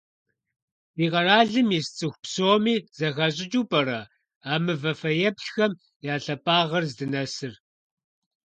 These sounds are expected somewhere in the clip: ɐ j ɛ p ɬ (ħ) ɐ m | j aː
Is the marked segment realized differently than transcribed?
yes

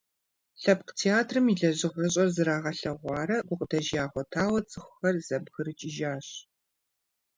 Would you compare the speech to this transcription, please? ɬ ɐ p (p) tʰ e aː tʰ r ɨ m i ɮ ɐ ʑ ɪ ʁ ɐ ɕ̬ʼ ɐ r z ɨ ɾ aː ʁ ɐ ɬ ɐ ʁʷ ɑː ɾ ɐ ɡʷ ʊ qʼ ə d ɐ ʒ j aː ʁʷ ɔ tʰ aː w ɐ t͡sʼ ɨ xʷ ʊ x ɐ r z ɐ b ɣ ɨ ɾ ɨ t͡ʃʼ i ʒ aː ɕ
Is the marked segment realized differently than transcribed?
yes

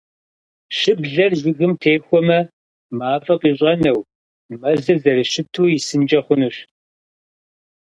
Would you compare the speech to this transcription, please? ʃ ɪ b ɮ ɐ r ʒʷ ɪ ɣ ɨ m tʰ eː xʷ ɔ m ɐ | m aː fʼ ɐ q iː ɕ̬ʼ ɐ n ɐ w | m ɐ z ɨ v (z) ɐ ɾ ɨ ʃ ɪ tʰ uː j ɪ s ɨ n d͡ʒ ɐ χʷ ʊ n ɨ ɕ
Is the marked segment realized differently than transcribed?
no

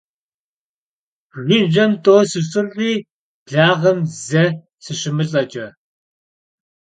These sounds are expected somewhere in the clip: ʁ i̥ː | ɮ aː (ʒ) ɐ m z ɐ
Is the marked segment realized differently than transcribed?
yes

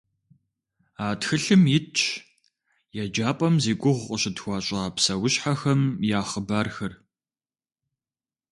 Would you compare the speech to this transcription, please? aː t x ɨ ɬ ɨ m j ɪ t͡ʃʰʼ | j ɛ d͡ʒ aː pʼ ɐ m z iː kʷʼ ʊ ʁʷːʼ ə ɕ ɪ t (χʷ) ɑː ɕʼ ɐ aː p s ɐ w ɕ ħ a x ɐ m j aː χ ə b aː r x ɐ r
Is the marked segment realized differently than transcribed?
yes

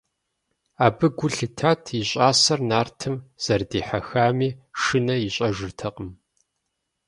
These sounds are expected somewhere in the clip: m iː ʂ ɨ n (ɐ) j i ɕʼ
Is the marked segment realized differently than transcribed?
no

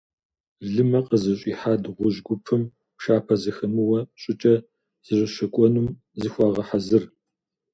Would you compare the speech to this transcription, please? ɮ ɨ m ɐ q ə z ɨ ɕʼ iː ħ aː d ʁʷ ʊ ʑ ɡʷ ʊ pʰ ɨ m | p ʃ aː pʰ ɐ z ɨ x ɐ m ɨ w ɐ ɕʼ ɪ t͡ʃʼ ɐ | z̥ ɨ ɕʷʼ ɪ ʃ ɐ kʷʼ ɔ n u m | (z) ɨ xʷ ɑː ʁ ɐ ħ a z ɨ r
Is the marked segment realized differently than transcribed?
no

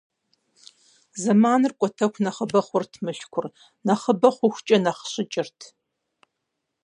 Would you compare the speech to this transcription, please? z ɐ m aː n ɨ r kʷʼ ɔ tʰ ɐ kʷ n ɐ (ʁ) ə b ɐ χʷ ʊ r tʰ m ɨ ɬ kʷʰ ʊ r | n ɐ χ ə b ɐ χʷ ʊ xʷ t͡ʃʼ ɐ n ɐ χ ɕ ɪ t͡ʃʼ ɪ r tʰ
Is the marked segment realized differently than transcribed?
yes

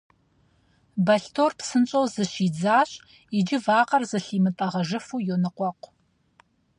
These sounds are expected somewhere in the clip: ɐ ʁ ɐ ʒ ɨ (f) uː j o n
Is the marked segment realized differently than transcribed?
no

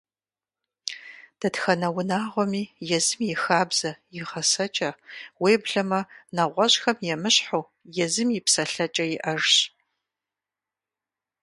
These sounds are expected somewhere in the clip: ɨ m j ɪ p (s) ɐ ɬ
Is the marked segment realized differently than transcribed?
no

